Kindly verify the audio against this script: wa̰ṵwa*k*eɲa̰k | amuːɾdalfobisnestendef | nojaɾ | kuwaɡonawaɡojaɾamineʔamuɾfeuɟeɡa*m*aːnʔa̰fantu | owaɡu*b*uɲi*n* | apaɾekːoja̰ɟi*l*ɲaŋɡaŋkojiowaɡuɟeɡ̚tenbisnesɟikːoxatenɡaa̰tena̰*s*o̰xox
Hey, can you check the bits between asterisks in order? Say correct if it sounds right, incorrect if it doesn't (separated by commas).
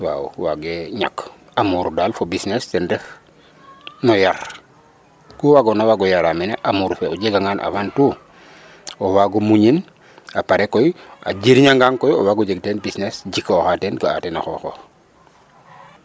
incorrect, incorrect, incorrect, correct, incorrect, incorrect